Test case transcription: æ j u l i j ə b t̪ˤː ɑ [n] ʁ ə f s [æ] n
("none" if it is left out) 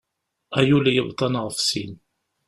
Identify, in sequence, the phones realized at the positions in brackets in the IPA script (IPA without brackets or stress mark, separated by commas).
n, i